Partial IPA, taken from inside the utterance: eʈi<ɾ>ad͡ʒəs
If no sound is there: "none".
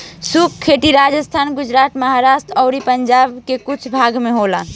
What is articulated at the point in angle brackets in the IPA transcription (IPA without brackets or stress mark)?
ɾ